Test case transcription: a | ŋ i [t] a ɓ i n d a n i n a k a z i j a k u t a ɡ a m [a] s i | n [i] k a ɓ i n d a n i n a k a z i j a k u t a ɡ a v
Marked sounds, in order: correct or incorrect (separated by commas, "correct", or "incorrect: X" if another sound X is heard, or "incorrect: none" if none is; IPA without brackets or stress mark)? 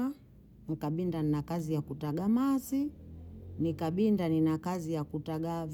incorrect: k, correct, correct